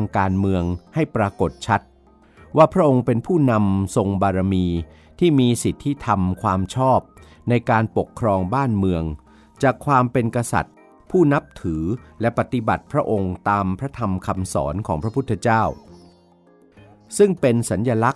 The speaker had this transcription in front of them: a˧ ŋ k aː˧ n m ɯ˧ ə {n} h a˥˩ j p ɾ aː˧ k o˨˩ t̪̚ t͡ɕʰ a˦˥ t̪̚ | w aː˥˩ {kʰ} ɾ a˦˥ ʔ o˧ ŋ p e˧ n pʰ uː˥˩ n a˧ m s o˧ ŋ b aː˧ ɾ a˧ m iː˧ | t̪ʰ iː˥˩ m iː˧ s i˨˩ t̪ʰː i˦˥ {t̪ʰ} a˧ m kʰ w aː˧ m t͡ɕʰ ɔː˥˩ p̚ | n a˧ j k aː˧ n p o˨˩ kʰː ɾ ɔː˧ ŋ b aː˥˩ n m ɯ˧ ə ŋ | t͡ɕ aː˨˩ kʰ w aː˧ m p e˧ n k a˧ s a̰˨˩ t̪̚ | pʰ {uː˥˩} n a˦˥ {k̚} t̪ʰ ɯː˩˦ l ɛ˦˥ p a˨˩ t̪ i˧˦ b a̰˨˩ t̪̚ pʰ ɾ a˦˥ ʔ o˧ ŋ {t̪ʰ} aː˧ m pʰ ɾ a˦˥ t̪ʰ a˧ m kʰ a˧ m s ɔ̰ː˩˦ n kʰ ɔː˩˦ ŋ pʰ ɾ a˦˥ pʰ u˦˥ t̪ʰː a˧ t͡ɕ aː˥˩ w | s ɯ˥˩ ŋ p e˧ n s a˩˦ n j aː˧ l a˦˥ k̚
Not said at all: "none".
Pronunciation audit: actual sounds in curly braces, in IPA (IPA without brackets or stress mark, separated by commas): ŋ, pʰ, t̪ʰ, uː˥˩, p̚, t̪